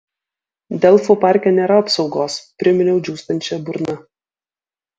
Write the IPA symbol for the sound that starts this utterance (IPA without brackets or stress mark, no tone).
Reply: d̪ʲ